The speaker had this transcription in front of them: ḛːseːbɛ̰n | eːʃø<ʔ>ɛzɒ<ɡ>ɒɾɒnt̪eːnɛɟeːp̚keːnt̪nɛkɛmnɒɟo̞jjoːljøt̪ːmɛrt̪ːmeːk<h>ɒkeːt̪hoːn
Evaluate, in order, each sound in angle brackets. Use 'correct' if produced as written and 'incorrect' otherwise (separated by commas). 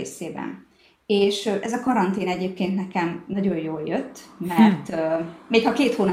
correct, incorrect, correct